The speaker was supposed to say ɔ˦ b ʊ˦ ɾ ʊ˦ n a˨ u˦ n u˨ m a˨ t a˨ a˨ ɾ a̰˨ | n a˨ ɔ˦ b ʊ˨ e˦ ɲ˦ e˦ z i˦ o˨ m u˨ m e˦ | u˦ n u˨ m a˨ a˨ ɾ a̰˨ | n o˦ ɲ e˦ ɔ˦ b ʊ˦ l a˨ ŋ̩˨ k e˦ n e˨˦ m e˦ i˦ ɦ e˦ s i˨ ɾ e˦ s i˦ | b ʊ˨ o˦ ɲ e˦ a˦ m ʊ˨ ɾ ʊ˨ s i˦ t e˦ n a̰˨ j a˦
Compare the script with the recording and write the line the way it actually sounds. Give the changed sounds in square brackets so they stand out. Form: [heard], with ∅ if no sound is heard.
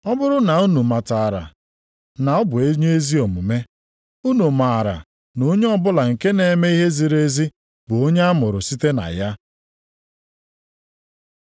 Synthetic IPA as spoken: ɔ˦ b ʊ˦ ɾ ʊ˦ n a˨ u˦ n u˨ m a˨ t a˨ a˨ ɾ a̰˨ | n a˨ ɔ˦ b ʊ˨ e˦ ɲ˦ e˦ z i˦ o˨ m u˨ m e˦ | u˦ n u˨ m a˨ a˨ ɾ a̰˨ | n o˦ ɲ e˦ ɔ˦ b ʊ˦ l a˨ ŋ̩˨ k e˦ n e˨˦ m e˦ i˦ ɦ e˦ [z] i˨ ɾ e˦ [z] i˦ | b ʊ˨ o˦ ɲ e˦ a˦ m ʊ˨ ɾ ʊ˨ s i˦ t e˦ n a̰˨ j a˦